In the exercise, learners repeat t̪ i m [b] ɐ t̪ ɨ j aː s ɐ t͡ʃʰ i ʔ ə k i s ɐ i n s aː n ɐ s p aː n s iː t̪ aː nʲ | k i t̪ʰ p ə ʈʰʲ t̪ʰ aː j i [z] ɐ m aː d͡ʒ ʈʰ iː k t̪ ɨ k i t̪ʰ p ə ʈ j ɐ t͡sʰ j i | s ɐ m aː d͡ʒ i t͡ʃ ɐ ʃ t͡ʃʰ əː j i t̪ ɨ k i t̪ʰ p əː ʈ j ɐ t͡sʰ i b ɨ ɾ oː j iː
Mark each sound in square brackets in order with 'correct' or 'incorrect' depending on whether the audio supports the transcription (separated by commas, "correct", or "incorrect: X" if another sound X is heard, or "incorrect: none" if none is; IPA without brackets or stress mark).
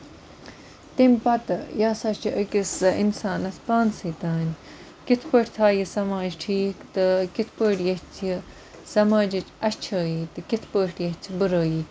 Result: incorrect: p, incorrect: s